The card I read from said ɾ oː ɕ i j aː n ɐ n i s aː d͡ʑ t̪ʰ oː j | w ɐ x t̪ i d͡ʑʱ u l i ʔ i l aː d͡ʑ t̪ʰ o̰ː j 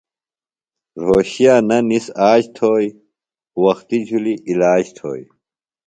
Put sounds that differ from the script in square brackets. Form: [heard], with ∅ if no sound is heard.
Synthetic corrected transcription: ɾ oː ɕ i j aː n ɐ n i s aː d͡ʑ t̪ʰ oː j | w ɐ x t̪ i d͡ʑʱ u l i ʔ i l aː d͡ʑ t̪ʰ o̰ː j